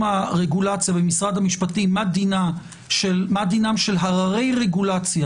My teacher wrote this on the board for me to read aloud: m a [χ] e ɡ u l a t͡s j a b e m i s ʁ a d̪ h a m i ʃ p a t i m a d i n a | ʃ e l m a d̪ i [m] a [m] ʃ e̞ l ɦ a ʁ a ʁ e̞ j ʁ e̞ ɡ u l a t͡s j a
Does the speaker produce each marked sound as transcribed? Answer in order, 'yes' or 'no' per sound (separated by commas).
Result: no, no, yes